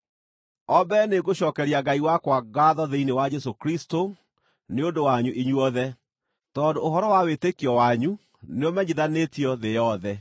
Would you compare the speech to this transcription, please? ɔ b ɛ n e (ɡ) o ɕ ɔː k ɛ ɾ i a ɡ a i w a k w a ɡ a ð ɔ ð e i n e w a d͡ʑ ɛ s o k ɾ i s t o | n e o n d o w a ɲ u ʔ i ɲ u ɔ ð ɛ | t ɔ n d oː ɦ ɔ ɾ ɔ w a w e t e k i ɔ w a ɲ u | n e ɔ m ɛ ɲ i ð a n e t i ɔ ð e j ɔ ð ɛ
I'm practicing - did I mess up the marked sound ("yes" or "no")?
no